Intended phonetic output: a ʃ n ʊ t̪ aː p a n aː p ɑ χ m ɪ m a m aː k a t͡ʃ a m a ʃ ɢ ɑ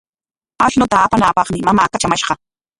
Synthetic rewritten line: a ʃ n ʊ t̪ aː p a n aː p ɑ χ m ɪ m a m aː k a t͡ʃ a m a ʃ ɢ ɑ